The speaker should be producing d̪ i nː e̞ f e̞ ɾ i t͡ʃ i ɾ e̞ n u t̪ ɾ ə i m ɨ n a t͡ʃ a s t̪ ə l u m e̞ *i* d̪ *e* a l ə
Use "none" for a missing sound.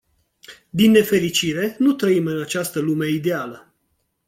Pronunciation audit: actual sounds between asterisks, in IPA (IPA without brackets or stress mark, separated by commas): i, e